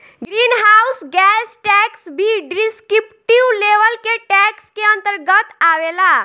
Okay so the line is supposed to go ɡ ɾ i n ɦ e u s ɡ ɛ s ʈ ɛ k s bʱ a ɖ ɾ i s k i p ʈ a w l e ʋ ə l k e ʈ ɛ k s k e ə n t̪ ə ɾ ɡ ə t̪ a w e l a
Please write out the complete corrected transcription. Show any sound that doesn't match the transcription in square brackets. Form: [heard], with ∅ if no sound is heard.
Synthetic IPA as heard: ɡ ɾ i n ɦ [a] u s ɡ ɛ s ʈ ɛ k s bʱ [i] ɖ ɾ i s k i p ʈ [i] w l e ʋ ə l k e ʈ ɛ k s k e ə n t̪ ə ɾ ɡ ə t̪ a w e l a